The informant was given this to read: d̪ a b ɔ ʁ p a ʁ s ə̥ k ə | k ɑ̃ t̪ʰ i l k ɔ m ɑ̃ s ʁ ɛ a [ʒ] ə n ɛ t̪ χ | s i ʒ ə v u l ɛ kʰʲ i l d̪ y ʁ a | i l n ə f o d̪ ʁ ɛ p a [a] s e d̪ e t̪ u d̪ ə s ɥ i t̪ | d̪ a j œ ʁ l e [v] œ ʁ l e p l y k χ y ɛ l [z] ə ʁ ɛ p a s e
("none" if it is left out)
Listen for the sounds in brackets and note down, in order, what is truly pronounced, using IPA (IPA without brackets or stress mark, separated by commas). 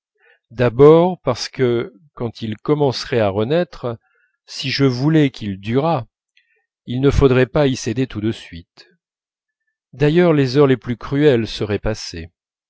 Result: ʁ, i, z, s